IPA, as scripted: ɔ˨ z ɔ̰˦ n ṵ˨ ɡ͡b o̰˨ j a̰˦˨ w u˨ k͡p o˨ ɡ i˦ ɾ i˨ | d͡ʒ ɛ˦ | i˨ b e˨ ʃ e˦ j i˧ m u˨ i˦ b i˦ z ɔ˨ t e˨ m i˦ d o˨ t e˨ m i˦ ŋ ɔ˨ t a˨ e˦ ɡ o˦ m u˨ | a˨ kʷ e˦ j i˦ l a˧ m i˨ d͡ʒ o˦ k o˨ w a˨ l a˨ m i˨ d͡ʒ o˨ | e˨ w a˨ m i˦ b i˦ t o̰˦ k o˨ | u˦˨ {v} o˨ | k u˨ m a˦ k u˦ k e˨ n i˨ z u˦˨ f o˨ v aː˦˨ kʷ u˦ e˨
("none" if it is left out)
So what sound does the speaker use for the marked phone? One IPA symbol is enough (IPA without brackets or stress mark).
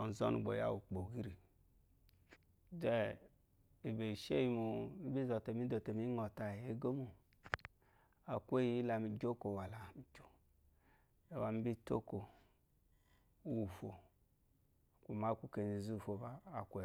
f